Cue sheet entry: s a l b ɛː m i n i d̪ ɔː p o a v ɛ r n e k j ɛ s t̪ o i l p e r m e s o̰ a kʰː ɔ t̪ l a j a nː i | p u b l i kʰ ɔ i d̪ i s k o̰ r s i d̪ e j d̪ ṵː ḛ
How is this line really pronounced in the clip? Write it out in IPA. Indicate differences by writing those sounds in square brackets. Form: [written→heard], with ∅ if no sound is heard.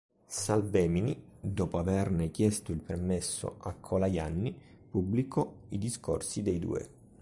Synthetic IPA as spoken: s a l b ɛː m i n i d̪ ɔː p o a v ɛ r n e k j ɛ s t̪ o i l p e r m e [s→sː] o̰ a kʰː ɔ [t̪→∅] l a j a nː i | p u b l i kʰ ɔ i d̪ i s k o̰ r s i d̪ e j d̪ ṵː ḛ

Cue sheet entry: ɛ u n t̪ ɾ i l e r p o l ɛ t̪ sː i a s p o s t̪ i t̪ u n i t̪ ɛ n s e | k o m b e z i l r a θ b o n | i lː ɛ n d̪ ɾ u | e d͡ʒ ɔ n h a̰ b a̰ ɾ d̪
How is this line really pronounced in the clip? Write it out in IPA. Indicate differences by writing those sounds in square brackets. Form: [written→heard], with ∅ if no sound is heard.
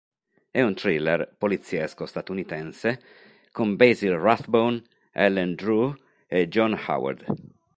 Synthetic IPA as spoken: ɛ u n t̪ ɾ i l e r p o l [ɛ→i] t̪ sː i [a→ɛ] s [p→k] o s t̪ [i→a] t̪ u n i t̪ ɛ n s e | k o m b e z i l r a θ b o n | [i→ɛ] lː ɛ n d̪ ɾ u | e d͡ʒ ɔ n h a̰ [b→w] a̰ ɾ d̪

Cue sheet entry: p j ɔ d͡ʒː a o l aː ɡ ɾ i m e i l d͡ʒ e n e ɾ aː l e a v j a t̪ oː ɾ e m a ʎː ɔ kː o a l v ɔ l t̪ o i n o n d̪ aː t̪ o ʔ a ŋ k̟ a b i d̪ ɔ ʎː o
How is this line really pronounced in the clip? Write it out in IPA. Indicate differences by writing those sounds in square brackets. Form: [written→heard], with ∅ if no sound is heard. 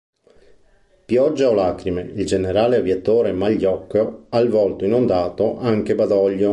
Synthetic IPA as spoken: p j ɔ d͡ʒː a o l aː [ɡ→k] ɾ i m e i l d͡ʒ e n e ɾ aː l e a v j a t̪ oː ɾ e m a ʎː ɔ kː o a l v ɔ l t̪ o i n o n d̪ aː t̪ o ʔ a ŋ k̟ [a→e] b [i→a] d̪ ɔ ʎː o

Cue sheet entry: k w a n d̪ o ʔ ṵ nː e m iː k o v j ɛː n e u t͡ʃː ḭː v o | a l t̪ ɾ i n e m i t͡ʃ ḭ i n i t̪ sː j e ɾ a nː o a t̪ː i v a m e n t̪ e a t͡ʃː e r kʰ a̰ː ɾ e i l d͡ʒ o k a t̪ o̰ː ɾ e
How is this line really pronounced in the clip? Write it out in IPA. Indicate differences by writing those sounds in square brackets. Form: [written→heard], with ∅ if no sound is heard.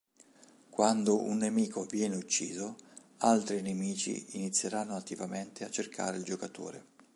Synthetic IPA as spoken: k w a n d̪ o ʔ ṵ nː e m iː k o v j ɛː n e u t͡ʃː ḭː [v→z] o | a l t̪ ɾ i n e m [i→iː] t͡ʃ ḭ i n i t̪ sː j e ɾ a nː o a t̪ː i v a m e n t̪ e a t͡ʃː e r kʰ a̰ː ɾ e i l d͡ʒ o k a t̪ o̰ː ɾ e

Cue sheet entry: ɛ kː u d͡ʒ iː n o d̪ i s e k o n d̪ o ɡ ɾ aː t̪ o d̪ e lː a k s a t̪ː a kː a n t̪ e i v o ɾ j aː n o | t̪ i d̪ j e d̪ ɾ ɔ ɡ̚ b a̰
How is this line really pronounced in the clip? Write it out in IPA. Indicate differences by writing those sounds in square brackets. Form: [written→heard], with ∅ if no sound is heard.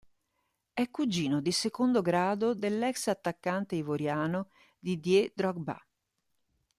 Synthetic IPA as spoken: ɛ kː u d͡ʒ iː n o d̪ i s e k o n d̪ o ɡ ɾ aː [t̪→d̪] o d̪ e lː [a→ɛ] k s a t̪ː a kː a n t̪ e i v o ɾ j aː n o | [t̪→d̪] i d̪ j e d̪ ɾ ɔ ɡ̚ b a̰

